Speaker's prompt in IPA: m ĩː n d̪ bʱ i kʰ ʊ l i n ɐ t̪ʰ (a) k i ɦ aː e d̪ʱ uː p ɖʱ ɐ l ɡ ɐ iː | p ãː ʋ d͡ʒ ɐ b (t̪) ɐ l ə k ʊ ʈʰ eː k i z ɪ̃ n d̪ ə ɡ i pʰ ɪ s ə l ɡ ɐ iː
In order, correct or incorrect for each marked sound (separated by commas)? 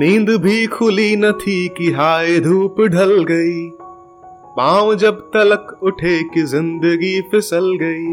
incorrect, correct